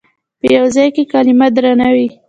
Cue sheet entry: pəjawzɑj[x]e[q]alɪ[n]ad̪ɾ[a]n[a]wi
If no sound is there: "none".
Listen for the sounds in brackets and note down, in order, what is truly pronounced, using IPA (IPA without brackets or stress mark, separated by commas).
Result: k, k, m, a, a